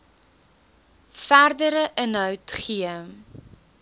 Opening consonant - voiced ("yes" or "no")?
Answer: no